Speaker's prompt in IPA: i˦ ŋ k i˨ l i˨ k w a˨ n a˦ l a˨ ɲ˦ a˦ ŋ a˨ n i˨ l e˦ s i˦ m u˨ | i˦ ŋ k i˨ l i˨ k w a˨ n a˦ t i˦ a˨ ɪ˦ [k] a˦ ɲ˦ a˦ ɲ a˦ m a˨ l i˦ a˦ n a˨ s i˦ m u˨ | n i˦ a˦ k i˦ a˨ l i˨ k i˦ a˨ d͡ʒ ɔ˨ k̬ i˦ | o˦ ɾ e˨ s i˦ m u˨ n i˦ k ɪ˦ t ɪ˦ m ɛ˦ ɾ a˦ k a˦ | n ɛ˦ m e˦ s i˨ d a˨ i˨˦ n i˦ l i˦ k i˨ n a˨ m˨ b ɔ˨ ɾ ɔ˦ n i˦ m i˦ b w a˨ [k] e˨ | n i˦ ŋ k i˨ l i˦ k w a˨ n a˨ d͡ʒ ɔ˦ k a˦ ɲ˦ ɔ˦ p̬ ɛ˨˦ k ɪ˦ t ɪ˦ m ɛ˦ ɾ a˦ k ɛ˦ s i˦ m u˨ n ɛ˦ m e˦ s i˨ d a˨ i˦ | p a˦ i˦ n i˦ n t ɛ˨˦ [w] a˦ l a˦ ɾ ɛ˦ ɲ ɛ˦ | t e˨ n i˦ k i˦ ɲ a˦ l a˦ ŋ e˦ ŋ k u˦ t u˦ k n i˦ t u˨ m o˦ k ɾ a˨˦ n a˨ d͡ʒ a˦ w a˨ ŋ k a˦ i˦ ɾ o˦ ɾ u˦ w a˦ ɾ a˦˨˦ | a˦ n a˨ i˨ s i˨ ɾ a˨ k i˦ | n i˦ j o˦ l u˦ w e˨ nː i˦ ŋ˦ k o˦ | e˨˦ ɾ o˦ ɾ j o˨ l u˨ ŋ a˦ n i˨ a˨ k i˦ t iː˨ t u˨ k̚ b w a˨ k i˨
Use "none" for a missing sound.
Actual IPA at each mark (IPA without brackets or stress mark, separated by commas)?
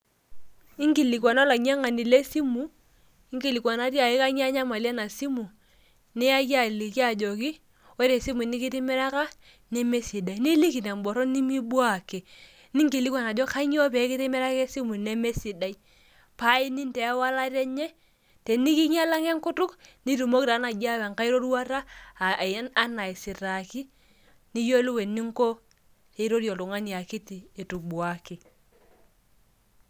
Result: k, k, w